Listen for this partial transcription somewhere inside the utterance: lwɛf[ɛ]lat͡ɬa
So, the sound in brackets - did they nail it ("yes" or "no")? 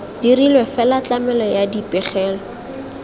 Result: yes